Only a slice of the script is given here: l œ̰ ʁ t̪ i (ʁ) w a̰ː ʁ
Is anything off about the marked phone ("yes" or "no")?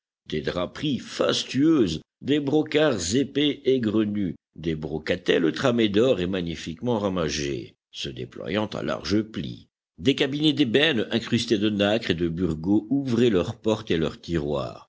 no